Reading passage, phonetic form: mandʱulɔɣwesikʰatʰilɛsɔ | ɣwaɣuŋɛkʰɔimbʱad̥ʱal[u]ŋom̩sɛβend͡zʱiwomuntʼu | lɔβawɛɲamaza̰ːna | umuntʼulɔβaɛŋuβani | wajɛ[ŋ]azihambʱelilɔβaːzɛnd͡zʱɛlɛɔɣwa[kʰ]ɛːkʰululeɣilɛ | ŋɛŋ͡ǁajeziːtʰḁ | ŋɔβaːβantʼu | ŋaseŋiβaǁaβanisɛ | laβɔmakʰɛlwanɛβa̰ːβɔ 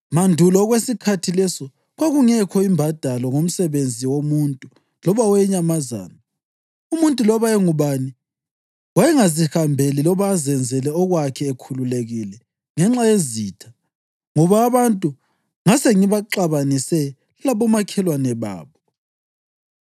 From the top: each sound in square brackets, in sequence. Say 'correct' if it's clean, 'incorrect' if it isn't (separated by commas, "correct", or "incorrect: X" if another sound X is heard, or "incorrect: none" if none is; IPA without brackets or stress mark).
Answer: incorrect: ɔ, correct, correct